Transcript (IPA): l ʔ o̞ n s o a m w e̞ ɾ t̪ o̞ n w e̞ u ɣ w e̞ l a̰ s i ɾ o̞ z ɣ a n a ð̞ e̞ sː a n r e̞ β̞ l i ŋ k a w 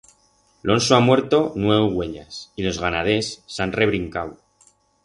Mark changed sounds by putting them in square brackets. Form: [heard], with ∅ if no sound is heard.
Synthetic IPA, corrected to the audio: l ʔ o̞ n s o a m w e̞ ɾ t̪ o̞ n w e̞ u ɣ w e̞ [ʎ] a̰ s i [l] o̞ z ɣ a n a ð̞ e̞ sː a n r e̞ β̞ [ɾ] i ŋ k a w